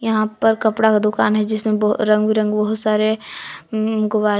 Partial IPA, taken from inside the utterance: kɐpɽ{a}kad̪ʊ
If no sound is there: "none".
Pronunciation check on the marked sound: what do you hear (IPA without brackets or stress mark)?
a